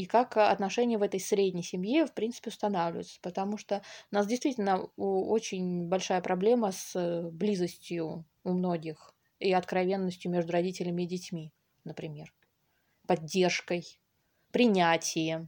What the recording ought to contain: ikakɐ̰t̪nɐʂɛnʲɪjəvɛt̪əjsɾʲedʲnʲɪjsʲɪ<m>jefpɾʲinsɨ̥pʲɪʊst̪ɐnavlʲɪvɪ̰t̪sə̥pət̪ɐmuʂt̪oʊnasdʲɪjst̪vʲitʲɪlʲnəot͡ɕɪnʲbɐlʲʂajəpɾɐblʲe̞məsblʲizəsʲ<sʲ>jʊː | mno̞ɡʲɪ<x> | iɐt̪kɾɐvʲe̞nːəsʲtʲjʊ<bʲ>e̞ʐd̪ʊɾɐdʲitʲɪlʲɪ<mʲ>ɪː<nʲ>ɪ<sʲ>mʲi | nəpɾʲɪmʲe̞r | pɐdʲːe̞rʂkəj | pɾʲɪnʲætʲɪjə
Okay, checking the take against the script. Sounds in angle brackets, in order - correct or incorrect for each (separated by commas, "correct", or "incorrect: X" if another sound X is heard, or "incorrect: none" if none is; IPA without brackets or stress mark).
correct, incorrect: tʲ, correct, incorrect: mʲ, correct, incorrect: dʲ, incorrect: tʲ